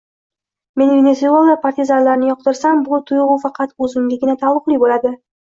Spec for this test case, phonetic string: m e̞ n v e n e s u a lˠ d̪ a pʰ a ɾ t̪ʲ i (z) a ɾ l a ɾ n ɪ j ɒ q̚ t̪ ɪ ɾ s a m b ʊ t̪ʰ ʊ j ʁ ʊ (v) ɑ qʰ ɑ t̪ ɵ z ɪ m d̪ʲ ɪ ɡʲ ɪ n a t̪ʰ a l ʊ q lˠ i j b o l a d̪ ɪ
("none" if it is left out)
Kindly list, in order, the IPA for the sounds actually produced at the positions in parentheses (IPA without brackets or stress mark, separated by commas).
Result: z, f